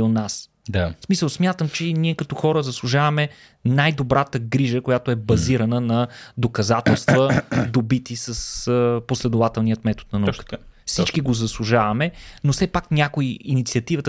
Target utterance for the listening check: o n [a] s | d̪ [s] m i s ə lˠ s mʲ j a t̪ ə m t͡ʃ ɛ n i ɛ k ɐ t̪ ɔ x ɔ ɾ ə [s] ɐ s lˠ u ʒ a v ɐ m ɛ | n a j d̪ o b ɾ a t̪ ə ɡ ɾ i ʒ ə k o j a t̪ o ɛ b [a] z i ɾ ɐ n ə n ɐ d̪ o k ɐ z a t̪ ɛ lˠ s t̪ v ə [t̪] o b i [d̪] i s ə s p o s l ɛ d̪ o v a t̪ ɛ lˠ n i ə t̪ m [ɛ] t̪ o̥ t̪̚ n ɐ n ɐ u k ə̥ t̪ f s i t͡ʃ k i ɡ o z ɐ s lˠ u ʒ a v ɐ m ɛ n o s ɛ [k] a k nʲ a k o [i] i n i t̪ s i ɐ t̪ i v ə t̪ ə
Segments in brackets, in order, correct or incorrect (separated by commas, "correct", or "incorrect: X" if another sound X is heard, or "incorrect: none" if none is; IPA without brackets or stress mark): correct, correct, incorrect: z, incorrect: ɐ, incorrect: d̪, incorrect: t̪, correct, incorrect: p, correct